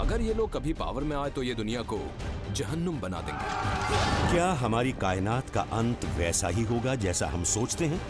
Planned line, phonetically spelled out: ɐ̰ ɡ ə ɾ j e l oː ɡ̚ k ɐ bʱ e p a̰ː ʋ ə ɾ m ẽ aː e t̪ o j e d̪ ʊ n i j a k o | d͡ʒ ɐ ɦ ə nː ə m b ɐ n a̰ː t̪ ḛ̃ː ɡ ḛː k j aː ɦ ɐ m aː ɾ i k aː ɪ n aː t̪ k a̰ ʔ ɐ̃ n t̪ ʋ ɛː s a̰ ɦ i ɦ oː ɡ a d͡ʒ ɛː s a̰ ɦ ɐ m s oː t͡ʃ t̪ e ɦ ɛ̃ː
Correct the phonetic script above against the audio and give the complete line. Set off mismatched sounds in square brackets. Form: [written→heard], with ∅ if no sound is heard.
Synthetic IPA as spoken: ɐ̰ ɡ ə ɾ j e l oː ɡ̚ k ɐ bʱ [e→i] p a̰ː ʋ ə ɾ m ẽ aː e t̪ o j e d̪ ʊ n i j a k o | d͡ʒ ɐ ɦ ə nː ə m b ɐ n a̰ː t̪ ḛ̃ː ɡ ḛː k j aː ɦ ɐ m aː ɾ i k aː ɪ n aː t̪ k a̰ ʔ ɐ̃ n t̪ ʋ ɛː s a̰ ɦ i ɦ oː ɡ a d͡ʒ ɛː s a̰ ɦ ɐ m s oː t͡ʃ t̪ e ɦ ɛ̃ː